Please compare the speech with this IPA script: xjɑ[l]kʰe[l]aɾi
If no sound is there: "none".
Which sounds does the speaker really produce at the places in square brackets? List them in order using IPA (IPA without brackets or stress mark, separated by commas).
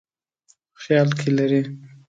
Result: l, l